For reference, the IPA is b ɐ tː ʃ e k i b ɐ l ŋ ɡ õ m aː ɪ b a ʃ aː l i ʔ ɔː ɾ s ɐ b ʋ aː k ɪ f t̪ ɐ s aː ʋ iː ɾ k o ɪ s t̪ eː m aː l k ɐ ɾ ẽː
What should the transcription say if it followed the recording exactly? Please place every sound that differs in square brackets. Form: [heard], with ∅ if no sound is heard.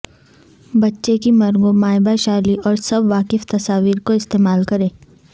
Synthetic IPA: b ɐ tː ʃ e k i [m] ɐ [ɾ] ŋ ɡ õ m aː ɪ b a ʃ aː l i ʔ ɔː ɾ s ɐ b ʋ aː k ɪ f t̪ ɐ s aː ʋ iː ɾ k o ɪ s t̪ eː m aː l k ɐ ɾ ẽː